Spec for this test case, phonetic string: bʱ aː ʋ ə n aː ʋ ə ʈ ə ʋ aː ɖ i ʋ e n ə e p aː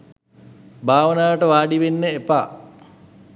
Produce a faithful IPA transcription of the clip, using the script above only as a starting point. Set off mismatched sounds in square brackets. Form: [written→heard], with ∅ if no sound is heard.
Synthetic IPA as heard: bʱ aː ʋ ə n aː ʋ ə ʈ ə ʋ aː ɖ i ʋ e [n→nː] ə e p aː